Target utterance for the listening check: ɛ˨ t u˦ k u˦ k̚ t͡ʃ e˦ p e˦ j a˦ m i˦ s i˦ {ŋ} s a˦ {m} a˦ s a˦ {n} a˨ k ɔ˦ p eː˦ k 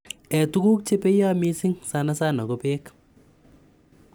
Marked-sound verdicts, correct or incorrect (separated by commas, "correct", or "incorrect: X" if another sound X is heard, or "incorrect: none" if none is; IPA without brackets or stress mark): correct, incorrect: n, correct